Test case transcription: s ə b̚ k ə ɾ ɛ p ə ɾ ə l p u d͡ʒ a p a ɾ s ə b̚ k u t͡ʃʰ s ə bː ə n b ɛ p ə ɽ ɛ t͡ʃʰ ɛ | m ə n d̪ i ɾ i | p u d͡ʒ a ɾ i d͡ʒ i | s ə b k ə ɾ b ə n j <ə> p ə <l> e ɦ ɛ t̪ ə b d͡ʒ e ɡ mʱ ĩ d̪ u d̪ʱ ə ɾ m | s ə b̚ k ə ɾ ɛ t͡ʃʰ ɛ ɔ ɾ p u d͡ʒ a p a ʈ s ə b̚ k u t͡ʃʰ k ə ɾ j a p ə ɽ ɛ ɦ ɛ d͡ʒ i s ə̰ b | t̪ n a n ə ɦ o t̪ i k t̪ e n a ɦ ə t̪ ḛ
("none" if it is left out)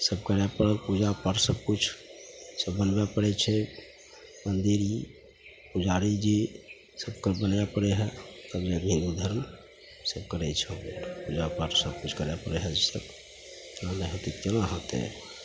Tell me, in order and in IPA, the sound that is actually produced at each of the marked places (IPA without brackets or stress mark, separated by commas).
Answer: a, ɽ